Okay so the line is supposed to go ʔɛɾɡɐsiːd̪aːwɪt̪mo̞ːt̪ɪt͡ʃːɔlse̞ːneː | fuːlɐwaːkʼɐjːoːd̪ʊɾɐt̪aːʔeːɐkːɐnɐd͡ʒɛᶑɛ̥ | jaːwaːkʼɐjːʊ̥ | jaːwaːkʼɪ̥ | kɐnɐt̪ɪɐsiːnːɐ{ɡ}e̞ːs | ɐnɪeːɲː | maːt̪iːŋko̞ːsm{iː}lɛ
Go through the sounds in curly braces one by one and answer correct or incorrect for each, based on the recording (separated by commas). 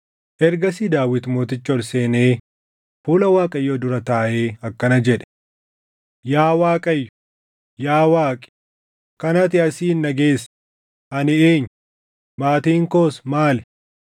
correct, incorrect